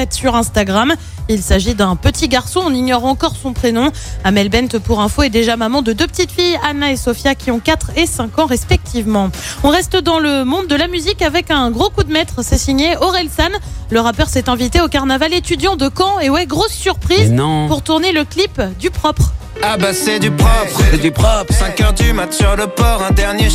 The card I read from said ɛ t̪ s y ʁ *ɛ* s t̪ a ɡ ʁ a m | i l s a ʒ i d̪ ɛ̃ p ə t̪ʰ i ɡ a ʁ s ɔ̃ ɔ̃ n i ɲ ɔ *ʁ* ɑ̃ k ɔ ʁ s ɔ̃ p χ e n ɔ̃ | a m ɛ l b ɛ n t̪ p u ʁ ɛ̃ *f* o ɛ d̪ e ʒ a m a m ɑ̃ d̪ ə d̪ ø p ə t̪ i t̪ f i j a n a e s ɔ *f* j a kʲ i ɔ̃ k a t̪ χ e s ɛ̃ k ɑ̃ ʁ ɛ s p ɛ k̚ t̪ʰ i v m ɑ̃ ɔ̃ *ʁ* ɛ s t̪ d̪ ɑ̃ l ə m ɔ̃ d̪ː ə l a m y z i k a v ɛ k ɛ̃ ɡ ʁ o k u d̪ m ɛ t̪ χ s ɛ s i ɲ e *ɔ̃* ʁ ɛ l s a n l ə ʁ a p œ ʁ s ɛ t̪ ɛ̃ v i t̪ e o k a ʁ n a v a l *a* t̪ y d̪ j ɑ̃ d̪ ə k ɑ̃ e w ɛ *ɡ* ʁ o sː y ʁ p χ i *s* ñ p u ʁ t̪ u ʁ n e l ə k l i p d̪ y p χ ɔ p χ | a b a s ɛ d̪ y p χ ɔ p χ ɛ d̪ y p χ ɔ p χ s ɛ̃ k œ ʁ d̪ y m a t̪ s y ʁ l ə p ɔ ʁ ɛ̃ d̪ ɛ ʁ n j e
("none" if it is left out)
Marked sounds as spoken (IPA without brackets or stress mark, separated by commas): ɛ̃, ʁ, f, f, ʁ, ɔ, e, ɡ, z